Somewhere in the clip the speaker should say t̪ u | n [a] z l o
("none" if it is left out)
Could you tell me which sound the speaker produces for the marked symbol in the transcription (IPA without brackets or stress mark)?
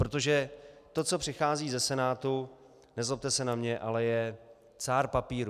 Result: ɛ